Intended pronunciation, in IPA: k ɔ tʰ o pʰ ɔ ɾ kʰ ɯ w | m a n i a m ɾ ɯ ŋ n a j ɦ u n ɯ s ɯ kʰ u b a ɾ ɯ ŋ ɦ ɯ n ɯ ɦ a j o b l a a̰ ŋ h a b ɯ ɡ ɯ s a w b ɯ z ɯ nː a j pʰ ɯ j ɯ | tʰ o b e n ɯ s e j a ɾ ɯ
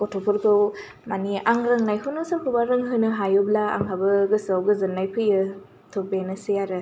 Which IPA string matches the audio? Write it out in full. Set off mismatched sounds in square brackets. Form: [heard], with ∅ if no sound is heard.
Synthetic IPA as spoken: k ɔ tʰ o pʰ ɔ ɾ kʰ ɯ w | m a n i a [ŋ] ɾ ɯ ŋ n a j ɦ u n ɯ s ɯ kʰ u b a ɾ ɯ ŋ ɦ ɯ n ɯ ɦ a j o b l a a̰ ŋ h a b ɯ ɡ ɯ s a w [ɡ] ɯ z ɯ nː a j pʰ ɯ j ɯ | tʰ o b e n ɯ s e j a ɾ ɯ